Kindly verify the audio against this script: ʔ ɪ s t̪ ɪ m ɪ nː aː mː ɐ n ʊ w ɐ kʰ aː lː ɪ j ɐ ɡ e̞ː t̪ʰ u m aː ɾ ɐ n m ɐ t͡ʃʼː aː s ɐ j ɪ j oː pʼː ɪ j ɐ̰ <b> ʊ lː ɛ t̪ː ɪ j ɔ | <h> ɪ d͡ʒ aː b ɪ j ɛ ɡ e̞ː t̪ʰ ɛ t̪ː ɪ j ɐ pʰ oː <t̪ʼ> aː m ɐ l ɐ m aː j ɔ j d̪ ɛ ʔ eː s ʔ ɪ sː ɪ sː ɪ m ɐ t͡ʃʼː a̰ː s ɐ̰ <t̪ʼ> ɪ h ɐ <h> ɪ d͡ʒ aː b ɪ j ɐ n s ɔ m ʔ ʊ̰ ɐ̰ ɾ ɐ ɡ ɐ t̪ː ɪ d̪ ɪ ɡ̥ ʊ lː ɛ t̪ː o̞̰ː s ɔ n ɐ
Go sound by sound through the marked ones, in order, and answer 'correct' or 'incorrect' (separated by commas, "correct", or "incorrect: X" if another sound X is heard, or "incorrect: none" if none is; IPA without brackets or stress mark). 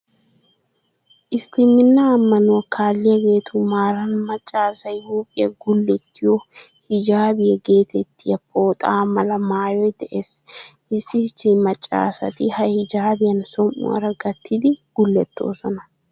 incorrect: ɡ, correct, correct, incorrect: t̪, correct